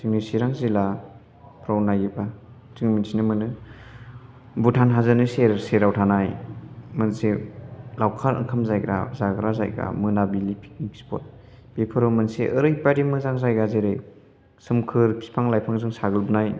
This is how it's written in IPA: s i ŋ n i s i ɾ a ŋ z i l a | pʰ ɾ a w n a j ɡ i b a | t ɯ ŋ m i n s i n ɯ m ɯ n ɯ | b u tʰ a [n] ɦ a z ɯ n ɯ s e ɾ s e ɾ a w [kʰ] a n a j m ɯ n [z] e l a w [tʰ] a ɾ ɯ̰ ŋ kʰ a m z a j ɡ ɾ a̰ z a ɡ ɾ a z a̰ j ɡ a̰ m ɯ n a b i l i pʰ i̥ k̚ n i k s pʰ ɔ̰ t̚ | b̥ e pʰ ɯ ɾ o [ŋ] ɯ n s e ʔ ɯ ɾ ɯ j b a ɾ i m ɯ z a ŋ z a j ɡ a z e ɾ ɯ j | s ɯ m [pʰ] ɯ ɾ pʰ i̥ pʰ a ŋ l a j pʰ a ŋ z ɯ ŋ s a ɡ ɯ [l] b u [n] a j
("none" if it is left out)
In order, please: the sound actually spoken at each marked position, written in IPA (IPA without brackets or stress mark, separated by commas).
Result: n, tʰ, s, kʰ, m, kʰ, l, n